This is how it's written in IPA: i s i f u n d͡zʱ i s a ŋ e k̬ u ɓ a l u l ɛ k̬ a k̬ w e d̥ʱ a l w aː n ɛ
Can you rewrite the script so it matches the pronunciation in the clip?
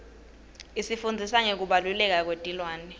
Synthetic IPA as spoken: i s i f u n d͡zʱ i s a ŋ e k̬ u ɓ a l u l ɛ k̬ a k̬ w e d̥ʱ i l w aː n ɛ

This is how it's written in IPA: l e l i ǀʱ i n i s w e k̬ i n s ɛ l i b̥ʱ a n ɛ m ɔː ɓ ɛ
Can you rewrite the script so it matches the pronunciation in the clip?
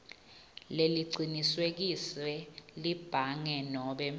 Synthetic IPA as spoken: l e l i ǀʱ i n i s w e k̬ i s ɛ l i b̥ʱ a ŋ ɛ n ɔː ɓ ɛ

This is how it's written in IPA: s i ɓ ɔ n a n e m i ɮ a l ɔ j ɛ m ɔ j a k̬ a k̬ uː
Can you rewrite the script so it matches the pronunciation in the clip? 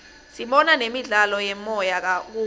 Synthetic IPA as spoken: s i ɓ ɔ n a n e m i ɮ a l ɔ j ɛ m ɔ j a k̬ a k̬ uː

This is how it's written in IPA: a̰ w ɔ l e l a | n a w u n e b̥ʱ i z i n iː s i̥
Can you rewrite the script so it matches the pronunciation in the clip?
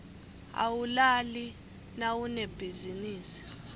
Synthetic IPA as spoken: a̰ w u l a l i | n a w u n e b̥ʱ i z i n iː s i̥

